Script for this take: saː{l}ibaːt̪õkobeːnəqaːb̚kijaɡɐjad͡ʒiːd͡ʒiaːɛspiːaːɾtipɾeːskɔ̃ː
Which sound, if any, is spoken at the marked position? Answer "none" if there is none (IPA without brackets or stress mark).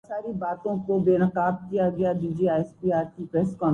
ɾ